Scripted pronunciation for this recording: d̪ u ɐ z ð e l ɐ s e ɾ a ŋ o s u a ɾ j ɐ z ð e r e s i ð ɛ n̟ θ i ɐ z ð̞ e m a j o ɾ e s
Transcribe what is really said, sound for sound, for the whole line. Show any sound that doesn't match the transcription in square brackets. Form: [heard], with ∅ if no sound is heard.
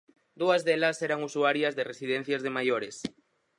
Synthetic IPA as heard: d̪ u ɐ z ð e l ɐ s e ɾ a ŋ [u] s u a ɾ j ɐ z ð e r e s i ð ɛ n̟ θ [j] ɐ z ð̞ e m a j o ɾ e s